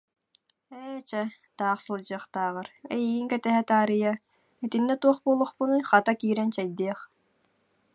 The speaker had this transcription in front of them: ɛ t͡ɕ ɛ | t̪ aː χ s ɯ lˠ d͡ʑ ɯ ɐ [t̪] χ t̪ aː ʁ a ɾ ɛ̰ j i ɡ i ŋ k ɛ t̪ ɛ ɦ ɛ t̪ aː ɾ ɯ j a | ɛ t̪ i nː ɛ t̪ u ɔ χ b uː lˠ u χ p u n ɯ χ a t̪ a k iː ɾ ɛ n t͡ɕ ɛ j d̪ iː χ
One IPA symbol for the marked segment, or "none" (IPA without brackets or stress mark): none